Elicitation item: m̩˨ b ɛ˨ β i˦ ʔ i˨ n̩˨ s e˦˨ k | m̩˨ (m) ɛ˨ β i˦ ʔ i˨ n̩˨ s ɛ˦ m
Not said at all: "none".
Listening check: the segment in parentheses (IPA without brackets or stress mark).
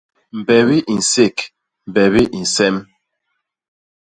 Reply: b